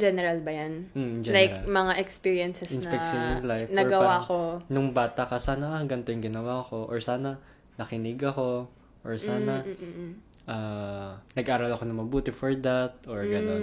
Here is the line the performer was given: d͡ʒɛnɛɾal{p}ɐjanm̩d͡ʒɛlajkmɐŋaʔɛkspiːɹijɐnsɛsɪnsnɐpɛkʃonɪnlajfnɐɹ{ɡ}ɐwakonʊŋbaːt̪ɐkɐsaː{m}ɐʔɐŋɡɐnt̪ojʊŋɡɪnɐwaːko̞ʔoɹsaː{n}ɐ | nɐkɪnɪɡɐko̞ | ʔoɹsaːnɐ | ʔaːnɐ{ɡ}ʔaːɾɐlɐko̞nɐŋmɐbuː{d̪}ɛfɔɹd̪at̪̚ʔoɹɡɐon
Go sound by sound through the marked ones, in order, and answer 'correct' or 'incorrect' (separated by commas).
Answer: incorrect, correct, incorrect, correct, correct, incorrect